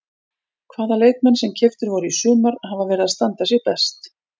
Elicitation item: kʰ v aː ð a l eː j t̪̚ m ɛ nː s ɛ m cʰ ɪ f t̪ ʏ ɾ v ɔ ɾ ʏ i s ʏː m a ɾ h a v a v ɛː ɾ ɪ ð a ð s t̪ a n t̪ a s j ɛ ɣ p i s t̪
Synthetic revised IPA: kʰ v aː ð a l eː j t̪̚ m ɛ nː s ɛ m cʰ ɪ f t̪ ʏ ɾ v ɔ ɾ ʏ i s ʏː m a ɾ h a v a v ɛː ɾ ɪ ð a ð s t̪ a n t̪ a s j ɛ ɣ p ɛ s t̪